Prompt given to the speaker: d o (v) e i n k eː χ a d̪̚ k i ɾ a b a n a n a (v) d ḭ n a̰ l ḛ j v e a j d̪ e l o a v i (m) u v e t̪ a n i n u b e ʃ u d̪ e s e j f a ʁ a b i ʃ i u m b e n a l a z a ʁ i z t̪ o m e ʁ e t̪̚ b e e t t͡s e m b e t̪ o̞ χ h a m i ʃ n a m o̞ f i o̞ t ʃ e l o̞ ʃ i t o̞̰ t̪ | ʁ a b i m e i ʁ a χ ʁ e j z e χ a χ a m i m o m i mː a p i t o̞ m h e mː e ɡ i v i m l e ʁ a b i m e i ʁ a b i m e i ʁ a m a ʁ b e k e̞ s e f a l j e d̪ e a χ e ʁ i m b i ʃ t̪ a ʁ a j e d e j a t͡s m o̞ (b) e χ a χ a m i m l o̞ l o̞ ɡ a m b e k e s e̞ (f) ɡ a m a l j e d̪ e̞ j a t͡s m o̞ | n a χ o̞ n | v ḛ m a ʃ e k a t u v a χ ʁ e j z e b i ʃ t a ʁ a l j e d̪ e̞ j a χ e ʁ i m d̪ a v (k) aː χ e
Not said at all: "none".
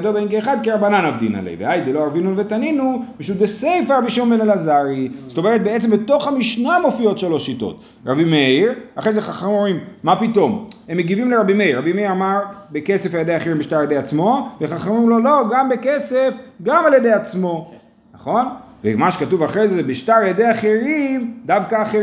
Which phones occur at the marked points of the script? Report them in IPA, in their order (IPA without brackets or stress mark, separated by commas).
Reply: b, v, n, v, f, k